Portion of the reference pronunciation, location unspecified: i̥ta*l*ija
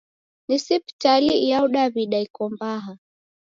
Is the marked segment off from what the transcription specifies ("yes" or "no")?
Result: no